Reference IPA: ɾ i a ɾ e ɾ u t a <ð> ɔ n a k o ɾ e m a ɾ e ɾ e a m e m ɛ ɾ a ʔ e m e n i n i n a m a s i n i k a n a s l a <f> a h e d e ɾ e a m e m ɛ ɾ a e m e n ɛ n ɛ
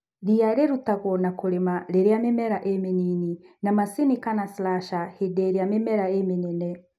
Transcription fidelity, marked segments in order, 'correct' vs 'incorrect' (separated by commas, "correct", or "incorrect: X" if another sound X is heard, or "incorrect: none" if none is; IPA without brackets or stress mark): incorrect: ɣ, incorrect: ʃ